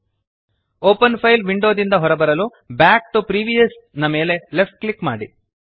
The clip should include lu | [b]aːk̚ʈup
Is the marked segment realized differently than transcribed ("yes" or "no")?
no